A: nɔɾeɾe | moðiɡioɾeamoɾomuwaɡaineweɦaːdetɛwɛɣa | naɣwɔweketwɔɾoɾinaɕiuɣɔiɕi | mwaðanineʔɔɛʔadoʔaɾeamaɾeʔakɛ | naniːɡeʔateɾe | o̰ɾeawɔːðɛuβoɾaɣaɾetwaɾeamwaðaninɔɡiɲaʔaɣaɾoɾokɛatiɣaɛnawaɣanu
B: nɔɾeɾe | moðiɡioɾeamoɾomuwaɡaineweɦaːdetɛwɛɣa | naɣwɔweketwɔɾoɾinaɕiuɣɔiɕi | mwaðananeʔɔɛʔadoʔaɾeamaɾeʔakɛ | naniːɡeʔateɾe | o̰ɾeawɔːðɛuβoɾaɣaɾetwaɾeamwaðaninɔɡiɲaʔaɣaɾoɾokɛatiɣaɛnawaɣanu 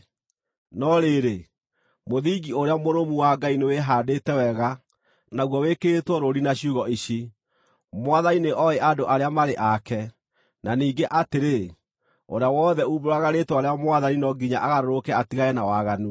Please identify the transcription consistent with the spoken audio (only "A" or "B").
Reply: A